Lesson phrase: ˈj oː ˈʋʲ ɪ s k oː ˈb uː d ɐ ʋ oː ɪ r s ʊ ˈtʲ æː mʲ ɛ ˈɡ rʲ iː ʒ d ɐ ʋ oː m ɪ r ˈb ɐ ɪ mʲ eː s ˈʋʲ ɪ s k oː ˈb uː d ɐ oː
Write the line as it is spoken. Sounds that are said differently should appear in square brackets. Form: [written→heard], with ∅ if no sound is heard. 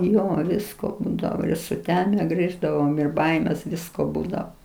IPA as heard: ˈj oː ˈʋʲ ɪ s k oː ˈb uː d ɐ ʋ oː ɪ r s ʊ ˈtʲ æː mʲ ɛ ˈɡ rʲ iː ʒ d ɐ ʋ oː m ɪ r ˈb ɐ ɪ mʲ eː s ˈʋʲ ɪ s k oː ˈb uː d ɐ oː